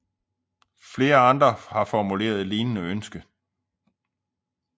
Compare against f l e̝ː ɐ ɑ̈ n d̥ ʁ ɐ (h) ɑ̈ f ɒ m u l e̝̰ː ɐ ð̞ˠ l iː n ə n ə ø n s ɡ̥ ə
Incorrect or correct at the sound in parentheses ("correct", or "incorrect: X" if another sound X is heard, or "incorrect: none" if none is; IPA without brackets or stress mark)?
correct